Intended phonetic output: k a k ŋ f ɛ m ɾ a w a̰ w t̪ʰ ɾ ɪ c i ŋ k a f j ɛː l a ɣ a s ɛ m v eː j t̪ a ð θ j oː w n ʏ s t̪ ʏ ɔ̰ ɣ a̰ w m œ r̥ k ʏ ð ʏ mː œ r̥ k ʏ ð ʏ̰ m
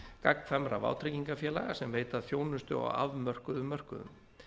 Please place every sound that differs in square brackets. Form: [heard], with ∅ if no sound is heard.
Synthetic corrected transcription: k a k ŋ f ɛ m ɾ a [v] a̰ w t̪ʰ ɾ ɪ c i ŋ k a f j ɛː l a ɣ a s ɛ m v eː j t̪ a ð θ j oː w n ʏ s t̪ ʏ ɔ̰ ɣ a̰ [v] m œ r̥ k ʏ ð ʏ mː œ r̥ k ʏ ð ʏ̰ m